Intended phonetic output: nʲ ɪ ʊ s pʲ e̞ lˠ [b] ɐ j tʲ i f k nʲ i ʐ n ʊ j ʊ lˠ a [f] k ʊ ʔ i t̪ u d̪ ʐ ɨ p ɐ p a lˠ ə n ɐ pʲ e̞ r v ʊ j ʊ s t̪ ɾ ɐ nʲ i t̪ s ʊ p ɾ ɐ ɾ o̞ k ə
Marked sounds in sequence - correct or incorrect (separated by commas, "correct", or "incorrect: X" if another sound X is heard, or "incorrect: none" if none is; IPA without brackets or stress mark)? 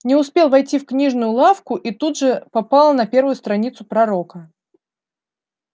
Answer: incorrect: v, correct